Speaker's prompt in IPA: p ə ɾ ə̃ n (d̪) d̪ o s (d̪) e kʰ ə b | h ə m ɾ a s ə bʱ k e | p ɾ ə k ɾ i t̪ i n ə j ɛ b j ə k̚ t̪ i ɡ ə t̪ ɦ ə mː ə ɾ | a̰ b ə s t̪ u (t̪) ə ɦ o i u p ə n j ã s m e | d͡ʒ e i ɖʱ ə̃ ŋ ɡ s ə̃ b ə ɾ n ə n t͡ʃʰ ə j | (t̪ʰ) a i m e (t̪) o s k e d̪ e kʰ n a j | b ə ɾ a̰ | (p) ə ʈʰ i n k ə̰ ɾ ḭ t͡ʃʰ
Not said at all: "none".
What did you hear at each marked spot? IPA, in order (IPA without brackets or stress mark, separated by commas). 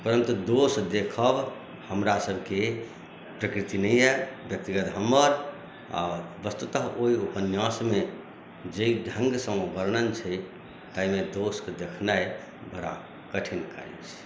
t̪, d̪, t̪, t̪, d̪, k